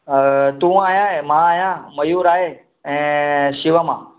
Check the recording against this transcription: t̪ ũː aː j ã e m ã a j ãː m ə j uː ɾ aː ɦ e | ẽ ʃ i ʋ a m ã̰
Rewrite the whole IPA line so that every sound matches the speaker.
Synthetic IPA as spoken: t̪ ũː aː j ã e m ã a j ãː m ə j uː ɾ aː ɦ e | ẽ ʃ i ʋ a m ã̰